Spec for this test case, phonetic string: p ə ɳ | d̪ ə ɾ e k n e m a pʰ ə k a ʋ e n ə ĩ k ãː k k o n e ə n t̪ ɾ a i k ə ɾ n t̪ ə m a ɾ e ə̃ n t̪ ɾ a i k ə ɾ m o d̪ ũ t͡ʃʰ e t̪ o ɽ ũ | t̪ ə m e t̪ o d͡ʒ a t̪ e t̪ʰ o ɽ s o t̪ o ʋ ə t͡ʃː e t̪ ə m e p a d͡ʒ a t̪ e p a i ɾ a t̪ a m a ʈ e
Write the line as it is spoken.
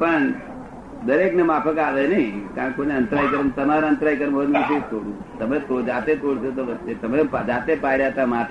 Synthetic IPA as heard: p ə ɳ | d̪ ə ɾ e k n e m a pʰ ə k a ʋ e n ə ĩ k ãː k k o n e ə n t̪ ɾ a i k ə ɾ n t̪ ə m a ɾ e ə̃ n t̪ ɾ a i k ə ɾ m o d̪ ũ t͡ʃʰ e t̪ o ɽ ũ | t̪ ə m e t̪ o d͡ʒ a t̪ e t̪ o ɽ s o t̪ o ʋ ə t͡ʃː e t̪ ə m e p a d͡ʒ a t̪ e p a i ɾ a t̪ a m a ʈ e